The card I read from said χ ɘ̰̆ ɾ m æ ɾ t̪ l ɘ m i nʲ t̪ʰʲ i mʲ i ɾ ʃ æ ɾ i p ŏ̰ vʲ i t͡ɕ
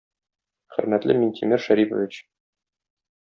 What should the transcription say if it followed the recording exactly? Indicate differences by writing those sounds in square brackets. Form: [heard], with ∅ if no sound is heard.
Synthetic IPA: χ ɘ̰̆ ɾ m æ [∅] t̪ l ɘ m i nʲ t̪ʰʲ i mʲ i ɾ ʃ æ ɾ i p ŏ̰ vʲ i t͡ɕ

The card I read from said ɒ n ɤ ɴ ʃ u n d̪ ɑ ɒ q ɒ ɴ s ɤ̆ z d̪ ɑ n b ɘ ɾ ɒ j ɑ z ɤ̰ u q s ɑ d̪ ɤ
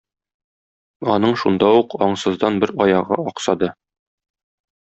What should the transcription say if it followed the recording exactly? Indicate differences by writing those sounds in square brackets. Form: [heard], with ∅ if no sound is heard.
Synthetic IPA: ɒ n ɤ ɴ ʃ u n d̪ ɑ [u] q ɒ ɴ s ɤ̆ z d̪ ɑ n b ɘ ɾ ɒ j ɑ [ʁ] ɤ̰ [ɒ] q s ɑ d̪ ɤ

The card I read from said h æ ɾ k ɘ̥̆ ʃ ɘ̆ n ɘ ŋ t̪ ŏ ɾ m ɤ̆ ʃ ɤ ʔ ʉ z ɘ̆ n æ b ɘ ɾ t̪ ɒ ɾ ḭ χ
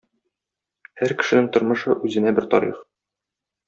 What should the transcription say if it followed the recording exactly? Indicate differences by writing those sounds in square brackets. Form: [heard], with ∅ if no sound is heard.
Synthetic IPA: h æ ɾ k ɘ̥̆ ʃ ɘ̆ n ɘ ŋ t̪ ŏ ɾ m ɤ̆ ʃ ɤ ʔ ʉ z ɘ̆ n æ b ɘ ɾ t̪ ɒ ɾ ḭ χ

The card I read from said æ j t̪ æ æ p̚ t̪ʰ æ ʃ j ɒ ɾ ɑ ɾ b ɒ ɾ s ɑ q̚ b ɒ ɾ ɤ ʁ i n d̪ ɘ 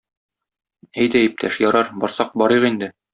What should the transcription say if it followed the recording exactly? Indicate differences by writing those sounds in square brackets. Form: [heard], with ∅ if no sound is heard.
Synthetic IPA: æ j [d̪] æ [i] p̚ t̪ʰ æ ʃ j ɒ ɾ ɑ ɾ b ɒ ɾ s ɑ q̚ b ɒ ɾ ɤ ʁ i n d̪ ɘ

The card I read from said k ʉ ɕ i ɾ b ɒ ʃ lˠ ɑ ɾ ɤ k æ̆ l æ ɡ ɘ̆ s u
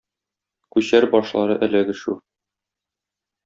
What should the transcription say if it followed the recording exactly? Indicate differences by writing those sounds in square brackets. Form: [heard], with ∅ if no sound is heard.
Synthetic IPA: k ʉ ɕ [æ] ɾ b ɒ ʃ lˠ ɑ ɾ ɤ [ʔ] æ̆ l æ ɡ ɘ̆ [ʃ] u

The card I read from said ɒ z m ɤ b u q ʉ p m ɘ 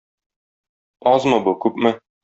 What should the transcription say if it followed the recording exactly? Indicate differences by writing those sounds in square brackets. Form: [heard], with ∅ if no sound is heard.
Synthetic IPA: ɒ z m ɤ b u [k] ʉ p m ɘ

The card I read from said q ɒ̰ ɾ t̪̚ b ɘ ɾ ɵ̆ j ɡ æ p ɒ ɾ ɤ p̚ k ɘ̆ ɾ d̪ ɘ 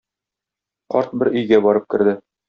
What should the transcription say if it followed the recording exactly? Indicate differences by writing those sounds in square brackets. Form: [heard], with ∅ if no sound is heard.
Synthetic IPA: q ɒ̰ ɾ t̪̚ b ɘ ɾ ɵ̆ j ɡ æ [b] ɒ ɾ ɤ p̚ k ɘ̆ ɾ d̪ ɘ

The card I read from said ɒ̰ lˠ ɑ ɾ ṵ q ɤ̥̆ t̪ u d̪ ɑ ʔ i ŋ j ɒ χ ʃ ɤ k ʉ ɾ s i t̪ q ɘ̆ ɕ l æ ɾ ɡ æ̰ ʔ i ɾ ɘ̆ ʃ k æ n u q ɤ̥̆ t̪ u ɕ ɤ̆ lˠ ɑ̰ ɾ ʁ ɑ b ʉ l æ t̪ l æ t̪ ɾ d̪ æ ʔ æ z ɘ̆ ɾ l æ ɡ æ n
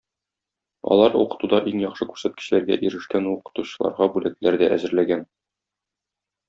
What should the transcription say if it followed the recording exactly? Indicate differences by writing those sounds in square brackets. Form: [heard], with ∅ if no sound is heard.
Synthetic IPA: ɒ̰ lˠ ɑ ɾ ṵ q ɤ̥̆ t̪ u d̪ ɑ ʔ i ŋ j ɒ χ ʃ ɤ k ʉ ɾ s [æ] t̪ [k] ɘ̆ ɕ l æ ɾ ɡ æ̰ ʔ i ɾ ɘ̆ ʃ k æ n u q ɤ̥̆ t̪ u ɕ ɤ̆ lˠ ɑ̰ ɾ ʁ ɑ b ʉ l æ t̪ l æ [∅] ɾ d̪ æ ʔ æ z ɘ̆ ɾ l æ ɡ æ n

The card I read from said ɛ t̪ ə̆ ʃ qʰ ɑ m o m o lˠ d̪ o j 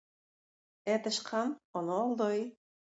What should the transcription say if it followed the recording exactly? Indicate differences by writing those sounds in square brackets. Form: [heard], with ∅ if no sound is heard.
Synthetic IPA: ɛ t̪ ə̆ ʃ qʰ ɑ m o [n] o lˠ d̪ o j

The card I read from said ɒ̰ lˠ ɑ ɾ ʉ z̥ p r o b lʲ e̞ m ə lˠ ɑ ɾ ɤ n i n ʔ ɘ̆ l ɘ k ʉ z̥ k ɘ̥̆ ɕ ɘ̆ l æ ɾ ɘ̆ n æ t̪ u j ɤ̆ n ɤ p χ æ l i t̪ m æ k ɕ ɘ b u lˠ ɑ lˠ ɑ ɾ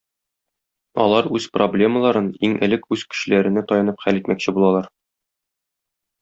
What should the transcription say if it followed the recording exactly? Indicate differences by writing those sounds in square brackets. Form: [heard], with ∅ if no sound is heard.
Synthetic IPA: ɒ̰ lˠ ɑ ɾ ʉ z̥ p r o b lʲ e̞ m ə lˠ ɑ ɾ ɤ n i [ŋ] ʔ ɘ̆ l ɘ k ʉ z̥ k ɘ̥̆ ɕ ɘ̆ l æ ɾ ɘ̆ n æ t̪ [ɒ] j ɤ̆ n ɤ p χ æ l i t̪ m æ k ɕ ɘ b u lˠ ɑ lˠ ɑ ɾ

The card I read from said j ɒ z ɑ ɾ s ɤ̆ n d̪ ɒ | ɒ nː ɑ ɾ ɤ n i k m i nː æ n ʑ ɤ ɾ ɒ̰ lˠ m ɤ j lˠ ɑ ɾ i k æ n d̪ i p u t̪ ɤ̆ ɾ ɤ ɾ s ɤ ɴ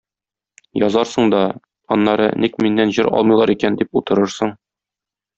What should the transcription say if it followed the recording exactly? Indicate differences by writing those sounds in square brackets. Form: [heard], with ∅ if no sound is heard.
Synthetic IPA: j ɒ z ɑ ɾ s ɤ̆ [ɴ] d̪ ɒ | ɒ nː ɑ ɾ ɤ n i k m i nː æ n ʑ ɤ ɾ ɒ̰ lˠ m ɤ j lˠ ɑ ɾ i k æ n d̪ i p u t̪ ɤ̆ ɾ ɤ ɾ s ɤ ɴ

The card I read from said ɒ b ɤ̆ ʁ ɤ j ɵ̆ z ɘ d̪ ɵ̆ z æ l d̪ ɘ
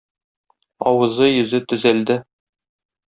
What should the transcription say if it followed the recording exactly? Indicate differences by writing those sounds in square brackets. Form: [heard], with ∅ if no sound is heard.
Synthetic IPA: ɒ [w] ɤ̆ [z] ɤ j ɵ̆ z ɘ [t̪] ɵ̆ z æ l d̪ ɘ

